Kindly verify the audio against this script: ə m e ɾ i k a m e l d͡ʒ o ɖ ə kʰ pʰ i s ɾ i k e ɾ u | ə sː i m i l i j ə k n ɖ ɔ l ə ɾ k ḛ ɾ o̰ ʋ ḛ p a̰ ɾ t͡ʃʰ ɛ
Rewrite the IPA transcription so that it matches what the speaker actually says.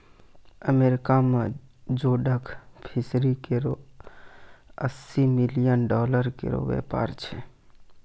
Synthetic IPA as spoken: ə m e ɾ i k a m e d͡ʒ o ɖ ə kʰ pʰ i s ɾ i k e ɾ o | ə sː i m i l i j ə n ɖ ɔ l ə ɾ k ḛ ɾ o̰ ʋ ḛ p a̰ ɾ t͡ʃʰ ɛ